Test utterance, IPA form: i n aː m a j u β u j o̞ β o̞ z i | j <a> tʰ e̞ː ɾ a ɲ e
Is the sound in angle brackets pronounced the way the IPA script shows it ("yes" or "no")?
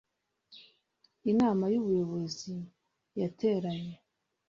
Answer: yes